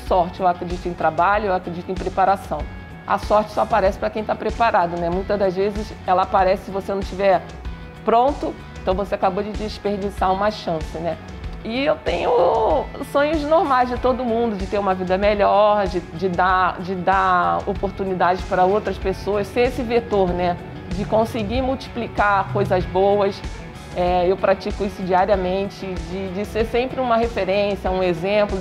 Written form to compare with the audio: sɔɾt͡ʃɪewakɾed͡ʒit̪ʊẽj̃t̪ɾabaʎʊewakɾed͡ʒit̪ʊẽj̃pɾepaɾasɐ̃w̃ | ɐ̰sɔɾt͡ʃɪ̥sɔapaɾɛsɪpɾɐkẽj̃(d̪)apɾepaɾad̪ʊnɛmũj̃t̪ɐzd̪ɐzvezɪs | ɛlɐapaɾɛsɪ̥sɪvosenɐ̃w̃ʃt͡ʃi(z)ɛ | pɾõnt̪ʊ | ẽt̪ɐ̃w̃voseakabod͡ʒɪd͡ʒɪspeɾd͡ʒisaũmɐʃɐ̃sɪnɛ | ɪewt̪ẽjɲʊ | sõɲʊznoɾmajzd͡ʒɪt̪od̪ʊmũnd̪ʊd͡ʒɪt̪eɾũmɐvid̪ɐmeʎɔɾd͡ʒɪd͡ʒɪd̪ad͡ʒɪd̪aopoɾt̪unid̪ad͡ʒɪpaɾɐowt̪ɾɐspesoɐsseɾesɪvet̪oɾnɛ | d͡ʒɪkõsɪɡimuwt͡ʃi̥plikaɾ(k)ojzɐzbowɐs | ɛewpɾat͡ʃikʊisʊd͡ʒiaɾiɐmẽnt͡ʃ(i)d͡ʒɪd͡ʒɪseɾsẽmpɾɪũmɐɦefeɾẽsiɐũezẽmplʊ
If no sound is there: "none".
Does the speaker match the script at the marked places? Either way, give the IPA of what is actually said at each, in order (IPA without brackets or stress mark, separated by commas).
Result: t̪, v, k, ɪ